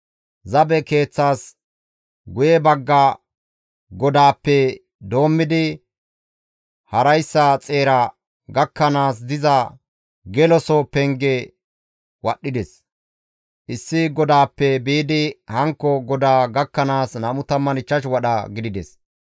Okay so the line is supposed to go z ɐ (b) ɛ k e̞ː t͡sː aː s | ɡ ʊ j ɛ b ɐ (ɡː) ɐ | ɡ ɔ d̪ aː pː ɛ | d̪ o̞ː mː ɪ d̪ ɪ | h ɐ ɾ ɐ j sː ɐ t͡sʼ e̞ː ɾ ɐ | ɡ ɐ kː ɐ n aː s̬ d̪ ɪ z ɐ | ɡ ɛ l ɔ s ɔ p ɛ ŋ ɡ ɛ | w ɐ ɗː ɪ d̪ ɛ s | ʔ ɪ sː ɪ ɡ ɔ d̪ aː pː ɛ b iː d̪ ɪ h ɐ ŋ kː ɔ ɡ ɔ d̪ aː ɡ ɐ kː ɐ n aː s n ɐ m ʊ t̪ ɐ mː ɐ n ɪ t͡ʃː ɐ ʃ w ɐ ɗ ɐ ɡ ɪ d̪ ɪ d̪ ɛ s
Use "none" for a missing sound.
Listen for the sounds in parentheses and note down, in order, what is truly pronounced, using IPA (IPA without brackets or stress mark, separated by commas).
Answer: b, ɡː